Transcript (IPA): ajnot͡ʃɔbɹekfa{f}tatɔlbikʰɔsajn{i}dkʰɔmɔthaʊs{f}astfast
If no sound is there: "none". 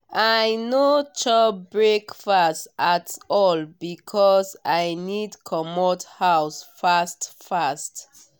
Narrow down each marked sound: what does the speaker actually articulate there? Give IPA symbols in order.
s, i, f

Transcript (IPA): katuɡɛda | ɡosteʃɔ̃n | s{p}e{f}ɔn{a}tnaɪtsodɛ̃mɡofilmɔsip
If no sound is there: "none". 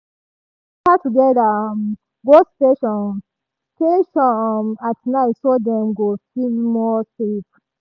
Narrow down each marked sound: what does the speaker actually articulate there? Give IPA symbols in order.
t, ʃ, a

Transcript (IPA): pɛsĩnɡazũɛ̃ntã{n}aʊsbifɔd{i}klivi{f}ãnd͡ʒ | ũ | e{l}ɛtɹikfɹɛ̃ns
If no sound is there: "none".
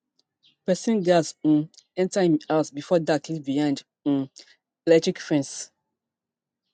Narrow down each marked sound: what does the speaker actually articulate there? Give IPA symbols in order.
m, a, none, l

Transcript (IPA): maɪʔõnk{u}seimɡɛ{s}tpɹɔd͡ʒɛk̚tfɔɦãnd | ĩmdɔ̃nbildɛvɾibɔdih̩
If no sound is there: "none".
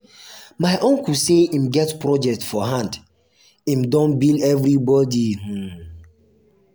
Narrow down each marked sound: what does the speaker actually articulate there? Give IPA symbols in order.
u, none

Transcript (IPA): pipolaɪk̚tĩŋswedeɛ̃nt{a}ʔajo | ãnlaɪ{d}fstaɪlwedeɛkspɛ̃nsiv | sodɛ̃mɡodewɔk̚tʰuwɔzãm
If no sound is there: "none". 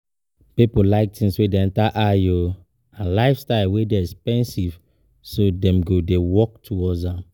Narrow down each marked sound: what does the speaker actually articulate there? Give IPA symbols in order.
a, none

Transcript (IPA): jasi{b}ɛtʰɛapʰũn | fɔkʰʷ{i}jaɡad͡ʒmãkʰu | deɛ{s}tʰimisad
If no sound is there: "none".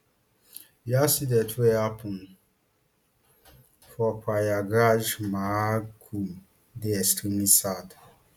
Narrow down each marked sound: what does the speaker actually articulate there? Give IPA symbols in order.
d, a, s

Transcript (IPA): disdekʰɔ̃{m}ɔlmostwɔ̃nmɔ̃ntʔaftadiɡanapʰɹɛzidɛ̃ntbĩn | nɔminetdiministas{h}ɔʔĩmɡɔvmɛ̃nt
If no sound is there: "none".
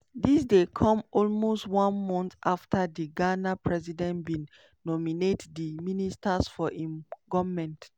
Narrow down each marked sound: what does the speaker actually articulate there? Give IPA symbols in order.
m, f

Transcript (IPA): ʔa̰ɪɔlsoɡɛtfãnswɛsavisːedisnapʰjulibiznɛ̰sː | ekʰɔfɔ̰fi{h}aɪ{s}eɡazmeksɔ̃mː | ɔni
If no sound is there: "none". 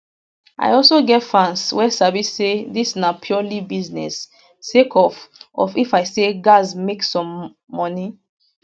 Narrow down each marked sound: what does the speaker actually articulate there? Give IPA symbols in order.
f, s

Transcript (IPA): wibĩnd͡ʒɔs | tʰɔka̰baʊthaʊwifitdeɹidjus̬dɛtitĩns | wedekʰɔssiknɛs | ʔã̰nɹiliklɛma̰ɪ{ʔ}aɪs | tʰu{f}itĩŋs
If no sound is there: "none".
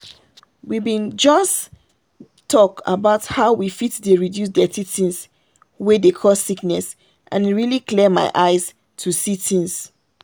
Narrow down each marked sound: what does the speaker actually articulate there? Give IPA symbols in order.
ʔ, s

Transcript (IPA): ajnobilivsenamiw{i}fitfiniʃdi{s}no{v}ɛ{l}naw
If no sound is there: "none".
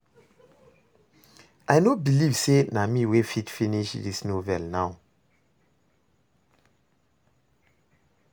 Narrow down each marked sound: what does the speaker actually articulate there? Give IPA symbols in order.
e, s, v, l

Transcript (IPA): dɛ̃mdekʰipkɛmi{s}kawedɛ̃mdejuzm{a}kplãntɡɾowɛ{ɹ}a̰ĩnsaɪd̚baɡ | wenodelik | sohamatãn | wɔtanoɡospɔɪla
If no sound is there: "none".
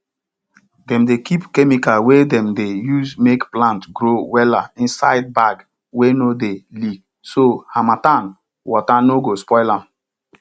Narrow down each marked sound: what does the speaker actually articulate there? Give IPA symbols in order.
none, e, l

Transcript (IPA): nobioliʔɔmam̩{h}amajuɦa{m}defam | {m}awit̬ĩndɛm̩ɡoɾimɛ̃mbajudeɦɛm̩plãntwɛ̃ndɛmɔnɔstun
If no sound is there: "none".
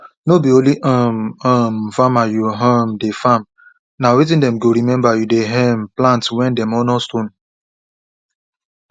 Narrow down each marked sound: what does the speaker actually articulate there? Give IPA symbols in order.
f, m, n

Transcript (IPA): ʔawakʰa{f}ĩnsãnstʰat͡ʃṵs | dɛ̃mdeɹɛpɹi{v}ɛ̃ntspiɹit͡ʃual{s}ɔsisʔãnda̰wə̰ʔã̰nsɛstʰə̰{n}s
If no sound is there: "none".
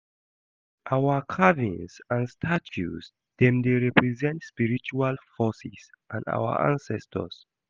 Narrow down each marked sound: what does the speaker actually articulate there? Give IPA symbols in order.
v, z, f, none

